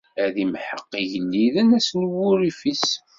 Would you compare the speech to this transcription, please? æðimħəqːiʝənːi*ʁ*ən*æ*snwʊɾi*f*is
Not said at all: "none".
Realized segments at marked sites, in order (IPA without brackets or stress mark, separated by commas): ð, æ, f